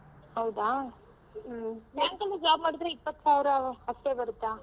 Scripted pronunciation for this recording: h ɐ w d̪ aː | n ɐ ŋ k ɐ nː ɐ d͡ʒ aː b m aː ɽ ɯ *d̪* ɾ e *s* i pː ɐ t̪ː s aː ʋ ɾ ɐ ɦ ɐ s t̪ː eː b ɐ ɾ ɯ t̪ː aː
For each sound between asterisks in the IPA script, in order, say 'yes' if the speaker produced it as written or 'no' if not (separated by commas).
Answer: yes, no